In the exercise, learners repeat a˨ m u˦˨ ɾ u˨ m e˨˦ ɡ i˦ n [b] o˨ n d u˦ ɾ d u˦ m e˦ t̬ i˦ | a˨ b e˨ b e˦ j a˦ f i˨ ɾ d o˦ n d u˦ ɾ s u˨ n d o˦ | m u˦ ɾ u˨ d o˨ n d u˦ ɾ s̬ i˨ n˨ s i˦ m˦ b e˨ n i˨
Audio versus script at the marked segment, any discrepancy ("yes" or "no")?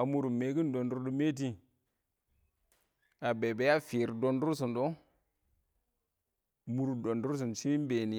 yes